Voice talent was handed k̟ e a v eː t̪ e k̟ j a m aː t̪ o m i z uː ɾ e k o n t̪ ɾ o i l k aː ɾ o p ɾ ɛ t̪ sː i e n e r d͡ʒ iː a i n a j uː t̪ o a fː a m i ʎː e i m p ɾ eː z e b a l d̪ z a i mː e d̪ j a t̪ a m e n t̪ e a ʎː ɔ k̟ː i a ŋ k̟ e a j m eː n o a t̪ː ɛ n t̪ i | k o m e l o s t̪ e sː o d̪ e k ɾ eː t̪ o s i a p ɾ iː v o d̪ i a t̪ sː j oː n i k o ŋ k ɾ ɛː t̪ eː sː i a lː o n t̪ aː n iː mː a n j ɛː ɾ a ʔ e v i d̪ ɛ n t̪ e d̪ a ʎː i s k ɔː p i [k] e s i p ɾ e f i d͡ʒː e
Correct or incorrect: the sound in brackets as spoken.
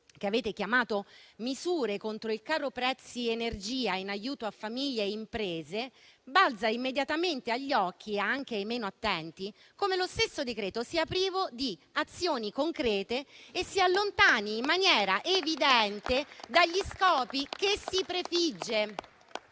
correct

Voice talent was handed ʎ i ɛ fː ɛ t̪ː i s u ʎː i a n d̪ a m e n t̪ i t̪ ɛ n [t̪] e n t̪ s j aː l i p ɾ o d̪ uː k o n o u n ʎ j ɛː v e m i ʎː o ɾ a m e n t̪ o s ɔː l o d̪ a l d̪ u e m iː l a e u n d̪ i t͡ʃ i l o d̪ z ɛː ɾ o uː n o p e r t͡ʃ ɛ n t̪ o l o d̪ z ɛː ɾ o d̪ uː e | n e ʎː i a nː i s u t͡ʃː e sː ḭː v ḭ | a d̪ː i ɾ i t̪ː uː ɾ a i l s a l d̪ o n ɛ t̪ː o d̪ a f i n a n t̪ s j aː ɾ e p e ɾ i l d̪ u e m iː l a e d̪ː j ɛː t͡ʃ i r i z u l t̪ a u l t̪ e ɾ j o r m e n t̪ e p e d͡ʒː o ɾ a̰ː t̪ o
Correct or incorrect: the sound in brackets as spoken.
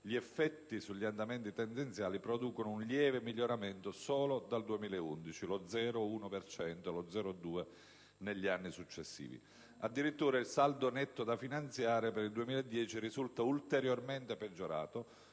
incorrect: d̪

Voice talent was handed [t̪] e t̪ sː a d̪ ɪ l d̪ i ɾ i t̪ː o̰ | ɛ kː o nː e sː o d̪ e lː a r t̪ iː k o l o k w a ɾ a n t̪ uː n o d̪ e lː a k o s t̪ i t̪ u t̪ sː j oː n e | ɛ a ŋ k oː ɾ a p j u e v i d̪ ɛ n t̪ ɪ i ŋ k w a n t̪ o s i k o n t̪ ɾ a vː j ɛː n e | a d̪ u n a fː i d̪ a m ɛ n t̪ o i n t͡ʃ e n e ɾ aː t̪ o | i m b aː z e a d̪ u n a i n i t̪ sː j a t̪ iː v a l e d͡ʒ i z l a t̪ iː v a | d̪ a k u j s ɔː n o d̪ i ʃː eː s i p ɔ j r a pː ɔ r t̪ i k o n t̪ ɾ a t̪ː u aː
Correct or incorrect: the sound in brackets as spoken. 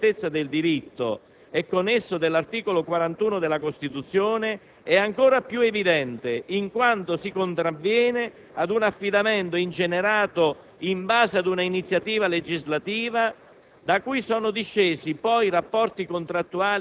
correct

